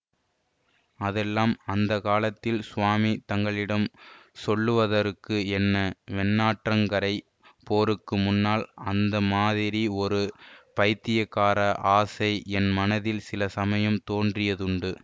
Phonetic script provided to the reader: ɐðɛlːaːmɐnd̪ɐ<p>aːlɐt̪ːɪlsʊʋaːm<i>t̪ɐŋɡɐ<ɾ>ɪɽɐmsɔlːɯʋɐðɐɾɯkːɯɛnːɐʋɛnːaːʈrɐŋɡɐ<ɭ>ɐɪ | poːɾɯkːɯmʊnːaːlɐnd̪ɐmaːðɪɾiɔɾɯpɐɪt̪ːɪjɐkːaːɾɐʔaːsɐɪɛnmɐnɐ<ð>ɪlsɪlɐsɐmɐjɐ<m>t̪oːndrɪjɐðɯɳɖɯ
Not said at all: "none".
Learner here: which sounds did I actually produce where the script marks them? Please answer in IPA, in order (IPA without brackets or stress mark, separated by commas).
k, i, ɭ, ɾ, ð, m